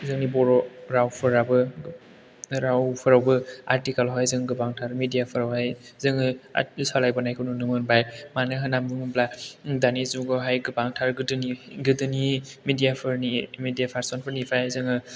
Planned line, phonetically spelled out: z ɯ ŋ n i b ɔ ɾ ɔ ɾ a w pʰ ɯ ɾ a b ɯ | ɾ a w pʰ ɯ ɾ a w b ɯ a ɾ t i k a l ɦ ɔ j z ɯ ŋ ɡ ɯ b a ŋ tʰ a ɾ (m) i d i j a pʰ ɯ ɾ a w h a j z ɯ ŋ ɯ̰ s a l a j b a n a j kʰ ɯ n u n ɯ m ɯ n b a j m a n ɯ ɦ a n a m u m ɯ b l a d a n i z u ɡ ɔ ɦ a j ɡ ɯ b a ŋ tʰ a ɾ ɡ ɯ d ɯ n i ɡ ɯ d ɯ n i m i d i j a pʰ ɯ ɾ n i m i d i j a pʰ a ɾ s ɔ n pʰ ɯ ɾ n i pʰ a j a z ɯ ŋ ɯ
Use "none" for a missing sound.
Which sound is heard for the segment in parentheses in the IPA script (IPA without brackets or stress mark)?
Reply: m